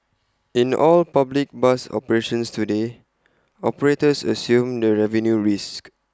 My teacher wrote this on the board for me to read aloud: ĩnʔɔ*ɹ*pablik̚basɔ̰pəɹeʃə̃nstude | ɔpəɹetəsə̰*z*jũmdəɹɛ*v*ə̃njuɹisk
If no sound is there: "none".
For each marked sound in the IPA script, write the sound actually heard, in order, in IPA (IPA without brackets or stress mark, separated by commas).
l, s, v